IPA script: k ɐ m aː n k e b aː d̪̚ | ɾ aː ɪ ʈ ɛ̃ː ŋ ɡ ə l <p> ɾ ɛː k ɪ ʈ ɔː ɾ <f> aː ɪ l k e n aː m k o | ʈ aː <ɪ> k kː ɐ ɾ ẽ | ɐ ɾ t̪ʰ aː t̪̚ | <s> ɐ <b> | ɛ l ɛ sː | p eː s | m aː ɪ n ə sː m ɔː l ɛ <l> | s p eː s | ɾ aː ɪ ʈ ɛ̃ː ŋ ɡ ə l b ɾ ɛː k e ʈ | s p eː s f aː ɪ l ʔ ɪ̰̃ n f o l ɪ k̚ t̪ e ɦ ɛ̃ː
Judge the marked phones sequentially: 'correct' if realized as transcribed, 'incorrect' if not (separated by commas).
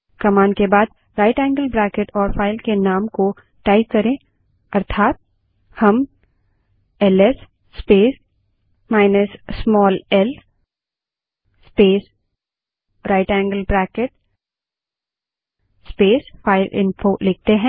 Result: incorrect, correct, correct, incorrect, incorrect, correct